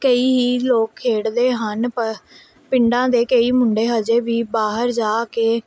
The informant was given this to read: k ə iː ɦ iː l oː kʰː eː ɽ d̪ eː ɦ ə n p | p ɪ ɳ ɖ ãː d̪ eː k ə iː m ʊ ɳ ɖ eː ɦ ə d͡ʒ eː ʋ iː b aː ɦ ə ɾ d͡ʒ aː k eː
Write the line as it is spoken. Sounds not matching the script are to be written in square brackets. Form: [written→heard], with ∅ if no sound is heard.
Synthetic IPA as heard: k ə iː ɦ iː l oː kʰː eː ɽ d̪ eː ɦ ə n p | p ɪ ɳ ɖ ãː d̪ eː k ə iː m ʊ ɳ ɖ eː ɦ ə d͡ʒ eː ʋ iː b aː ɦ ə ɾ d͡ʒ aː k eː